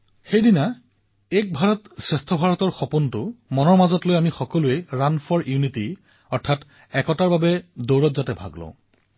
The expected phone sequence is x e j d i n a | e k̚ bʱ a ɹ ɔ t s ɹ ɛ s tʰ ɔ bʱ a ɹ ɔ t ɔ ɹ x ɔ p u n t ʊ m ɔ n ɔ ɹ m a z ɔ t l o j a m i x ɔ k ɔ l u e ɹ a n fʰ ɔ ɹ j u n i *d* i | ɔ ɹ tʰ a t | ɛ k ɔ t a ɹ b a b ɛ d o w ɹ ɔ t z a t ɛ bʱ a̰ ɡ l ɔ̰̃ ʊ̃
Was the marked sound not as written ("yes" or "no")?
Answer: yes